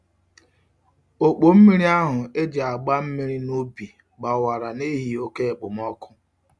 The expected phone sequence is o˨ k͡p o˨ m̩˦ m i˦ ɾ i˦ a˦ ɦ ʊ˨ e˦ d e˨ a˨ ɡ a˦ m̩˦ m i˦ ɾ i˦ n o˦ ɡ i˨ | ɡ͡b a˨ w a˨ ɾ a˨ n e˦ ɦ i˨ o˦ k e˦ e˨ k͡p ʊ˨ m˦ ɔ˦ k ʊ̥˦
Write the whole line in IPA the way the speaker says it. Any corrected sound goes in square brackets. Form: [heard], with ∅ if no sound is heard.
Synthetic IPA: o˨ k͡p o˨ m̩˦ m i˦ ɾ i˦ a˦ ɦ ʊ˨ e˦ [d͡ʒ] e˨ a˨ [ɡ͡b] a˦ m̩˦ m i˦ ɾ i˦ n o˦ [b] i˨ | ɡ͡b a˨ w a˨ ɾ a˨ n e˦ ɦ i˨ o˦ k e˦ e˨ k͡p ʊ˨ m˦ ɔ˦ k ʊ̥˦